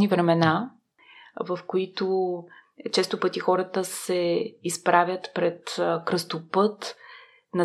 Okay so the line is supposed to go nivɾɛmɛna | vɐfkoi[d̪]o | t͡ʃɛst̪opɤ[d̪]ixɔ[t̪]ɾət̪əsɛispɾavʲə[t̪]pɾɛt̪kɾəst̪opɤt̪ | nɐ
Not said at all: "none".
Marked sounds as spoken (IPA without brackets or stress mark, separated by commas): t̪, t̪, none, t̪